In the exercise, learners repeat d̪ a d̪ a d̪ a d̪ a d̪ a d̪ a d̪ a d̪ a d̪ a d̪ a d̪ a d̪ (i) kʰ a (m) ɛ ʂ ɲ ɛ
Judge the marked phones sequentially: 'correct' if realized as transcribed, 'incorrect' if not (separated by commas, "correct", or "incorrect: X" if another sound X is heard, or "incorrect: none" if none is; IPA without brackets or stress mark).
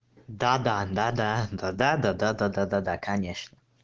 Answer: incorrect: a, incorrect: ɲ